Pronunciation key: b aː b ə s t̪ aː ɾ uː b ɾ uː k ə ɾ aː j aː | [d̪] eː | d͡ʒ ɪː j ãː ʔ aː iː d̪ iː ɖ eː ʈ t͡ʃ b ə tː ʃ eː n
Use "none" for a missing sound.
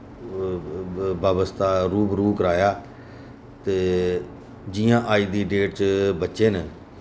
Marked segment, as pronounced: t̪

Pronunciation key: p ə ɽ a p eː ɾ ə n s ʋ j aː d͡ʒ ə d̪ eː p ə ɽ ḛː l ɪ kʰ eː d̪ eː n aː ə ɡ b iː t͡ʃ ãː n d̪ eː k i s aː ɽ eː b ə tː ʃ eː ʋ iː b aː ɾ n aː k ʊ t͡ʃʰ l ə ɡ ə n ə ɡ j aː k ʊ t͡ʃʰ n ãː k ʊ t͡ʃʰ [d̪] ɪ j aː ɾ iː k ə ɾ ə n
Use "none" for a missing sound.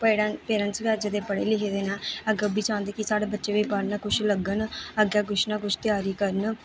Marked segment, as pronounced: t̪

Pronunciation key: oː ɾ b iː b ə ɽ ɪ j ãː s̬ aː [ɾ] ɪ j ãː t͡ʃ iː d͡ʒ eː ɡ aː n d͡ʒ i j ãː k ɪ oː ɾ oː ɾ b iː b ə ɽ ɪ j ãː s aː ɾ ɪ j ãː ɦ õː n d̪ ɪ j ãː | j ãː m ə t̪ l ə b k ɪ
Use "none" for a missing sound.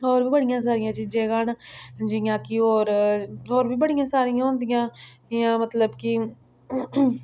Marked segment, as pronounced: ɾ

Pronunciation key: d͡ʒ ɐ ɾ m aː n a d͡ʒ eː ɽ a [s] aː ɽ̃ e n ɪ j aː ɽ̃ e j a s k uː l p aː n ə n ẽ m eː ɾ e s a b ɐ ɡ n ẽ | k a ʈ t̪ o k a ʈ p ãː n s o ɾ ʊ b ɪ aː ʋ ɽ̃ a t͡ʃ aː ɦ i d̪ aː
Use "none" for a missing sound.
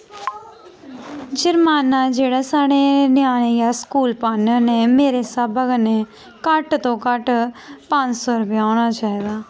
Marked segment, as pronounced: s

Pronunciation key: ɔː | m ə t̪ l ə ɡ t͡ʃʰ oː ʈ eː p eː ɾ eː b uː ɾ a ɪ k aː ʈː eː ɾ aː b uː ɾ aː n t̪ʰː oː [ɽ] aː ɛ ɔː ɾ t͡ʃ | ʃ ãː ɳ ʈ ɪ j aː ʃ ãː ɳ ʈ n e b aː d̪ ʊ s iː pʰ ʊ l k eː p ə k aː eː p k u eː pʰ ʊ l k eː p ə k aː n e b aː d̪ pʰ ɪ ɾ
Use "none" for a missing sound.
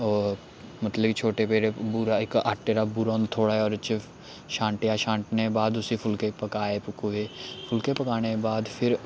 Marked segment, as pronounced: ɽ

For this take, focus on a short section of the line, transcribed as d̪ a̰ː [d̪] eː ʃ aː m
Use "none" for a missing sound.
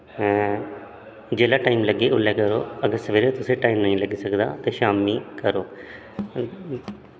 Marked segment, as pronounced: t̪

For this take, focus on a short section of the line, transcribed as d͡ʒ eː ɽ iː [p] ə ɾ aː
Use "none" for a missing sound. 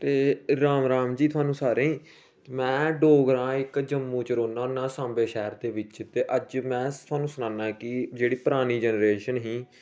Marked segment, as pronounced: p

